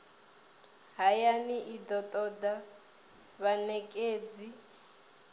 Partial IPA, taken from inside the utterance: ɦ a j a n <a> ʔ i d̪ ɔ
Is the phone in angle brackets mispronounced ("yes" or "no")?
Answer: yes